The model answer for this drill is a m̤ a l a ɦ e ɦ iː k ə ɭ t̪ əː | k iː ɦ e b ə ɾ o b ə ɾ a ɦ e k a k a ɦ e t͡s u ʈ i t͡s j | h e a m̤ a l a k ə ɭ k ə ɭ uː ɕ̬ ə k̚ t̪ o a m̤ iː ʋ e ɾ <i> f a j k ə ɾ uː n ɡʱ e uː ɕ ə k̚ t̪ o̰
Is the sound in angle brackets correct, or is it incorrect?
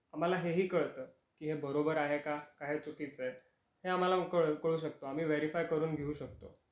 correct